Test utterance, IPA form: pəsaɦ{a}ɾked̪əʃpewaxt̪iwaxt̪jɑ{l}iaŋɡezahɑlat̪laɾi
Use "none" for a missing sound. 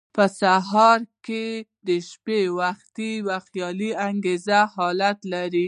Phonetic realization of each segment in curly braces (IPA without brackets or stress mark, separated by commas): ɑ, l